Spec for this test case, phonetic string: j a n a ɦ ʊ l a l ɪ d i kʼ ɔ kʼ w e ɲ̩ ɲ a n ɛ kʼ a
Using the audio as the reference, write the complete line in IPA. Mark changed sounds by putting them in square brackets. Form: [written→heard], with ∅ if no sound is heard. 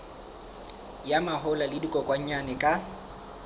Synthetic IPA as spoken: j a [n→m] a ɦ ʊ l a l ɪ d i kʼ ɔ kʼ w [e→a] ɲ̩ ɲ a n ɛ kʼ a